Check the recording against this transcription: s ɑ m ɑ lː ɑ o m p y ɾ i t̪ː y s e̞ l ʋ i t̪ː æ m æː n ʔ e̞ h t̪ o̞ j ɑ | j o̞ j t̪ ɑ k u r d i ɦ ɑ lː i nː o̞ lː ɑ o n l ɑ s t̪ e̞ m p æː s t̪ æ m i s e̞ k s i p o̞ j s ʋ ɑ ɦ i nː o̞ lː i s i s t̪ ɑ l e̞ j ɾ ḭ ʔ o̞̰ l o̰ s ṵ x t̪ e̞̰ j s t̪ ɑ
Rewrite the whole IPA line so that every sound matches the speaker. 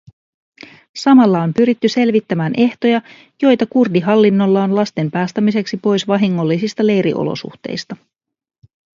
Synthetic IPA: s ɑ m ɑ lː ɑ o m p y ɾ i t̪ː y s e̞ l ʋ i t̪ː æ m æː n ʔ e̞ h t̪ o̞ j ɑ | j o̞ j t̪ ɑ k u r d i ɦ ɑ lː i nː o̞ lː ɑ o n l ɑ s t̪ e̞ m p æː s t̪ æ m i s e̞ k s i p o̞ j s ʋ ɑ ɦ i ŋː o̞ lː i s i s t̪ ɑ l e̞ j ɾ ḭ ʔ o̞̰ l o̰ s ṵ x t̪ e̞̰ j s t̪ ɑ